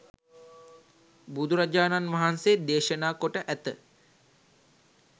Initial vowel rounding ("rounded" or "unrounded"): rounded